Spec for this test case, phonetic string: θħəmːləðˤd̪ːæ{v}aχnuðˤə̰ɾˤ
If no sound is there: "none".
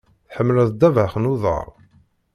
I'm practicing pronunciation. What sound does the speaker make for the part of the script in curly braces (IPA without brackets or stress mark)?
v